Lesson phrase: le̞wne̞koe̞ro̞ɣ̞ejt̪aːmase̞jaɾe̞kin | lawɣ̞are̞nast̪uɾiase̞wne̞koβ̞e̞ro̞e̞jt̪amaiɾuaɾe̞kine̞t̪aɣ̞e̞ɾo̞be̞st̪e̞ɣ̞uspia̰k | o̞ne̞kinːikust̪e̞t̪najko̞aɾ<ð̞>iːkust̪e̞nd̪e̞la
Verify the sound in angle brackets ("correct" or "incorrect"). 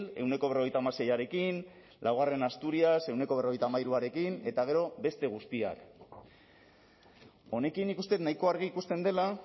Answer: incorrect